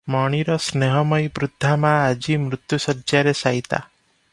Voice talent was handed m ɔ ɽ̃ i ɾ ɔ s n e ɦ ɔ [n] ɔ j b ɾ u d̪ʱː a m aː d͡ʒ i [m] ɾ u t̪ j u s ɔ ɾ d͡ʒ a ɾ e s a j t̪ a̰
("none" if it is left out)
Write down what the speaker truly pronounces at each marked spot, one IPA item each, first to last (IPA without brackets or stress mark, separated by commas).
m, m